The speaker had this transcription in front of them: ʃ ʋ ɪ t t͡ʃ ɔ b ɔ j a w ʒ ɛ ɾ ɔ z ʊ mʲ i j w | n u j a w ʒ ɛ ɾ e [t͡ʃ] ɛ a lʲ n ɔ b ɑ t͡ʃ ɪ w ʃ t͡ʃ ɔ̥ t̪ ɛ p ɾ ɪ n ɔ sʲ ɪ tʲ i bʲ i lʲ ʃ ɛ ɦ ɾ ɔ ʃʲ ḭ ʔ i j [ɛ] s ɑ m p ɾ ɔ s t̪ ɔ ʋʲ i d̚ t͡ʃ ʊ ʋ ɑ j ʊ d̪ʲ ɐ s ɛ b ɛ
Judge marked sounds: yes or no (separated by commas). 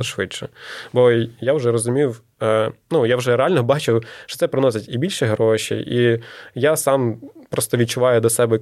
no, no